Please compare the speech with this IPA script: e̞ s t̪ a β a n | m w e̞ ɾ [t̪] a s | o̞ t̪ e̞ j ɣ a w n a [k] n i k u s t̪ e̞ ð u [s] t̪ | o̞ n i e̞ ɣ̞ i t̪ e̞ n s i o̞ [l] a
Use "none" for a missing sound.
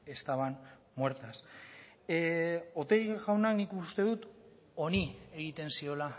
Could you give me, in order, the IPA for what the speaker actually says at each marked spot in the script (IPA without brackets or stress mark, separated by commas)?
t̪, k, none, l